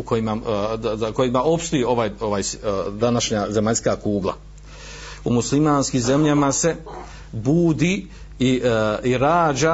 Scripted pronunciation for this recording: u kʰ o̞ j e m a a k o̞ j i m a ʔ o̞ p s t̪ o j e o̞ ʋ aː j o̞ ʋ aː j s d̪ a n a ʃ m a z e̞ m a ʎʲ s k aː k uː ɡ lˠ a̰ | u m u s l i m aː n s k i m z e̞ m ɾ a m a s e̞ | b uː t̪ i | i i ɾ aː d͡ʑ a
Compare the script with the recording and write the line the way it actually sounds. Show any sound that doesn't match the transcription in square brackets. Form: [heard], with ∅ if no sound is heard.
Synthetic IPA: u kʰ o̞ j [i] m a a k o̞ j i m a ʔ o̞ p s t̪ o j e o̞ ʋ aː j o̞ ʋ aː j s d̪ a n a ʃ [ɲ] a z e̞ m a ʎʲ s k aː k uː ɡ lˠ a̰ | u m u s l i m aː n s k i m z e̞ m [ʎ] a m a s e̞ | b uː [d̪] i | i i ɾ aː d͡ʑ a